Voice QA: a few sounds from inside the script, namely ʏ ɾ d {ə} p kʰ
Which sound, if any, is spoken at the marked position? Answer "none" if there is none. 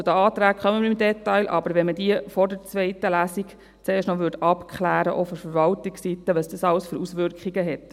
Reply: ɑ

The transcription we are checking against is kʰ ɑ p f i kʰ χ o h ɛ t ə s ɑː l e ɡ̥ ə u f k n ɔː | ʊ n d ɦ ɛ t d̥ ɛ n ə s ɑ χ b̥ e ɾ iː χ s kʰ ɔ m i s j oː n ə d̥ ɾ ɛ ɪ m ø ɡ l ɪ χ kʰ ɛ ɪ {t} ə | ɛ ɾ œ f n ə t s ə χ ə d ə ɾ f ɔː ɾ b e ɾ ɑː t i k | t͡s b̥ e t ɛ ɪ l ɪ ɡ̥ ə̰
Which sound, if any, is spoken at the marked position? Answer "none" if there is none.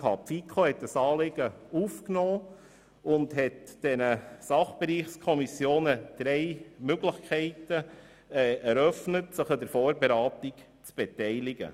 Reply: t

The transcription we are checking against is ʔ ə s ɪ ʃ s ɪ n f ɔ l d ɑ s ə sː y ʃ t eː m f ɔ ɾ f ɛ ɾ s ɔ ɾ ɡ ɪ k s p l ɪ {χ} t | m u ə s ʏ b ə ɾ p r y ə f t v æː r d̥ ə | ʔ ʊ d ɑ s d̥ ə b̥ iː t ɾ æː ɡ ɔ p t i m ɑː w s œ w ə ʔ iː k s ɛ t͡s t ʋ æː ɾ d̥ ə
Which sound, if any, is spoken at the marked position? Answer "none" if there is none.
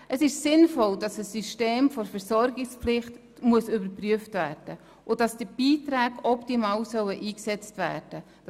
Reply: χ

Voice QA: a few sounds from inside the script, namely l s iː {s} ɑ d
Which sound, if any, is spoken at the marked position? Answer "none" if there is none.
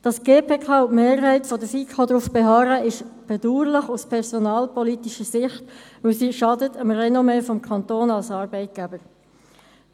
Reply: ʃ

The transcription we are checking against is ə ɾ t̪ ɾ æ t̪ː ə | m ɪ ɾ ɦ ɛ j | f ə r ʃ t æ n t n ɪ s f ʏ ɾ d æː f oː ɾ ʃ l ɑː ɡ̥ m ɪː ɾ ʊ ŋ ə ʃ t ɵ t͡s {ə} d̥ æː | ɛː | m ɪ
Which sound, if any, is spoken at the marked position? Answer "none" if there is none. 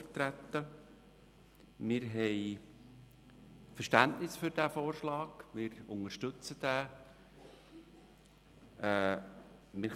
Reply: ə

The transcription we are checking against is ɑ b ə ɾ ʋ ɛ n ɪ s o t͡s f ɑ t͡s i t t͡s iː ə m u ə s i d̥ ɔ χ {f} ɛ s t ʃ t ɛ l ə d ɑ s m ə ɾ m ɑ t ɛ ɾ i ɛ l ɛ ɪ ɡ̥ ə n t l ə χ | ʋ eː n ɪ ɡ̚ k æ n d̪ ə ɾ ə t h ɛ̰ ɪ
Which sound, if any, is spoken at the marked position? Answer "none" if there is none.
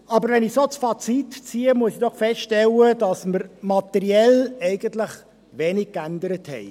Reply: f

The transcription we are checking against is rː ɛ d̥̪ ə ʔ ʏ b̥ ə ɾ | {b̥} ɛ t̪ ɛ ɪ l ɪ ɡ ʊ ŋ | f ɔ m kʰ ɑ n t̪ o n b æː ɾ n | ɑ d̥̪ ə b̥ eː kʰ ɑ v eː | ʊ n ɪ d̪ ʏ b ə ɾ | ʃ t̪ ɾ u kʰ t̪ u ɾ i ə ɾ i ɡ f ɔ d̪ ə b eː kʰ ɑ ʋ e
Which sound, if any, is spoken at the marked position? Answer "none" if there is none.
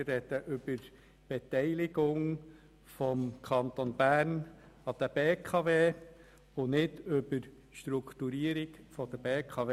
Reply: b̥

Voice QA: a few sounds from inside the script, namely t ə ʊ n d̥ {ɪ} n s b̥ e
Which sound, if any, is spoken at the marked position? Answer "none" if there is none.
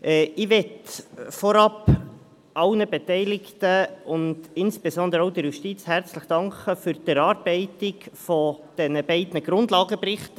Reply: ɪ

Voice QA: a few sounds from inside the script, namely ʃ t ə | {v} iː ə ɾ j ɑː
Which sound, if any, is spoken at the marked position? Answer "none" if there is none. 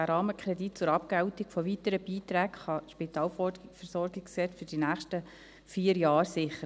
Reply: f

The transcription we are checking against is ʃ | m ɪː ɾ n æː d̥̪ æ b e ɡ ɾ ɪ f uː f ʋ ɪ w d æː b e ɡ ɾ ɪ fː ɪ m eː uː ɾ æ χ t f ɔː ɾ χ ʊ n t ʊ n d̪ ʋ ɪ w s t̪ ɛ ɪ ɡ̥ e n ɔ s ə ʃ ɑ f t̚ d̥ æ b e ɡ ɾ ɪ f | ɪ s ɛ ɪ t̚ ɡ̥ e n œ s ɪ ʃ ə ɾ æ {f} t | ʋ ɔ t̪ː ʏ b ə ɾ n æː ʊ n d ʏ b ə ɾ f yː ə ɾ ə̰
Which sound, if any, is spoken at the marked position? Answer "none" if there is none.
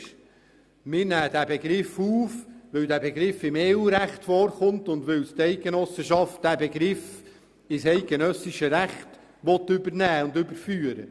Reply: χ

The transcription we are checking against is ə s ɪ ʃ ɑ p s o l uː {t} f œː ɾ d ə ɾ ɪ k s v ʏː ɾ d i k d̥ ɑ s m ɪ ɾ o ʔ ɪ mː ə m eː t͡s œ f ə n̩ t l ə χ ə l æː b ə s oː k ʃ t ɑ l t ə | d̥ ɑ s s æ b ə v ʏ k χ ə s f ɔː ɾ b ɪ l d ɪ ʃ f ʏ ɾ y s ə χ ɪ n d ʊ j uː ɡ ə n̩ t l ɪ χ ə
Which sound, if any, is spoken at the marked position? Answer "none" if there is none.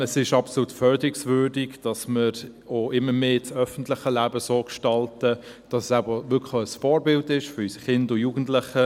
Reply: t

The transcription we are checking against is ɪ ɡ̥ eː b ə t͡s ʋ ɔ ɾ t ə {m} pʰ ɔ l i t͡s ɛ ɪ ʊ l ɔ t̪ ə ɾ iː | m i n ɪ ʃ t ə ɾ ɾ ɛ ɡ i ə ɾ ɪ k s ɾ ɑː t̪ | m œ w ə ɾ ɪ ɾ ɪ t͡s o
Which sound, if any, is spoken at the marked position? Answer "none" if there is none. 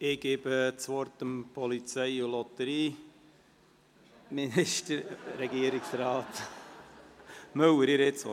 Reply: m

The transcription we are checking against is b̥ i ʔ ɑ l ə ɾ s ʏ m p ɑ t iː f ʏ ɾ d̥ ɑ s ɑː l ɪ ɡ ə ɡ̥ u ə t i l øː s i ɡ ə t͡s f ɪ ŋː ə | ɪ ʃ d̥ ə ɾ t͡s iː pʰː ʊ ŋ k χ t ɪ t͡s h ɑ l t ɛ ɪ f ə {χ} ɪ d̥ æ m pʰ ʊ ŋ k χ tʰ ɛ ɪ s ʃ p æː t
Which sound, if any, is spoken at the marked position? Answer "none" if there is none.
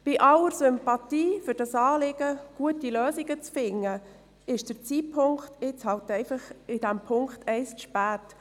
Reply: χ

